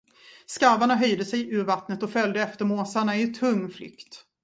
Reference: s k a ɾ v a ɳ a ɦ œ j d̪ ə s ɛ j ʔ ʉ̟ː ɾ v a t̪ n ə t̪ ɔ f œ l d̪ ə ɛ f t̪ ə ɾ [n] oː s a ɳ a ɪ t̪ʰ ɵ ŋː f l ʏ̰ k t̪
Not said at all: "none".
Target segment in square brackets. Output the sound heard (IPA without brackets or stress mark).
m